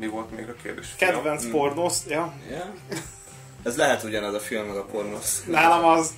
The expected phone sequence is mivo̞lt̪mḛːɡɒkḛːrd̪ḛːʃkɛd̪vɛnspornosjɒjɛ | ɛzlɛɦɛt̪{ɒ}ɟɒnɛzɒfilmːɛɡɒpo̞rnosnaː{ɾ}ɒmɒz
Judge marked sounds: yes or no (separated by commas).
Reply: no, no